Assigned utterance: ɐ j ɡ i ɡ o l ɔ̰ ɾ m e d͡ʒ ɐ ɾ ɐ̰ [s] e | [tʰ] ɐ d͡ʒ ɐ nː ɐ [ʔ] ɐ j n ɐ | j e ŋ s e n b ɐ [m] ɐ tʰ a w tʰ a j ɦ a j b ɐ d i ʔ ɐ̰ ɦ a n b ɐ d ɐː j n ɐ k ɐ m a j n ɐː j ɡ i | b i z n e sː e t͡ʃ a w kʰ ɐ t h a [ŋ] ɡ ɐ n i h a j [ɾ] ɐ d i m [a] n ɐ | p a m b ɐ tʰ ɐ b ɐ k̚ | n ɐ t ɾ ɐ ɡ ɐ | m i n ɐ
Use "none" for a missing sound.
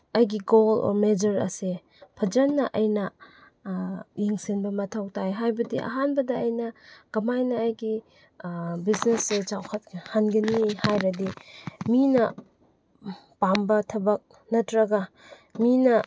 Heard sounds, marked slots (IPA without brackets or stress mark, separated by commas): s, pʰ, ʔ, m, n, ɾ, i